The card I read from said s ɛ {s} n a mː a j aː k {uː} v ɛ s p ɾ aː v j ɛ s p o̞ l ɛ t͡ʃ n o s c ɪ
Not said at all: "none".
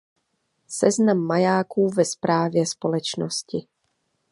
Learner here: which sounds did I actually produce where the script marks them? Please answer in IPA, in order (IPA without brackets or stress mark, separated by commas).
z, uː